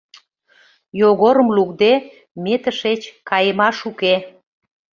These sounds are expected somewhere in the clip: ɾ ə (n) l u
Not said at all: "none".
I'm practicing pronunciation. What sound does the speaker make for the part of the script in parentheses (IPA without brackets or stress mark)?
m